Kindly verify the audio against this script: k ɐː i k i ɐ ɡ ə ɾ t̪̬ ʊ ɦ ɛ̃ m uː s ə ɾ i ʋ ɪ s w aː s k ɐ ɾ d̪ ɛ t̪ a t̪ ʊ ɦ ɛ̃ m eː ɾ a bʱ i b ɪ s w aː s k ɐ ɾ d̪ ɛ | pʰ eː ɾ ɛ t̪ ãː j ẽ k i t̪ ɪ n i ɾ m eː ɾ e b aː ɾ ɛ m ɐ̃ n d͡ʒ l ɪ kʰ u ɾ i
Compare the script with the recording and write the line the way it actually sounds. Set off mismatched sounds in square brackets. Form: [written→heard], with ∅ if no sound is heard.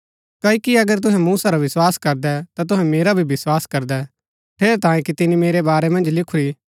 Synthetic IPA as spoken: k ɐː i k i ɐ ɡ ə ɾ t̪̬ ʊ ɦ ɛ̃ m uː s [ə→a] ɾ [i→a] ʋ ɪ s w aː s k ɐ ɾ d̪ ɛ t̪ a t̪ ʊ ɦ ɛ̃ m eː ɾ a bʱ i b ɪ s w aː s k ɐ ɾ d̪ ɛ | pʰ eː ɾ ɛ t̪ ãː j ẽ k i t̪ ɪ n i [ɾ→∅] m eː ɾ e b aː ɾ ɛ m ɐ̃ n d͡ʒ l ɪ kʰ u ɾ i